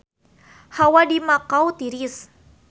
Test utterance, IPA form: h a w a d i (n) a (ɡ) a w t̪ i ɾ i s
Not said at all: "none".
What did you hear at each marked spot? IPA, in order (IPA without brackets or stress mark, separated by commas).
m, k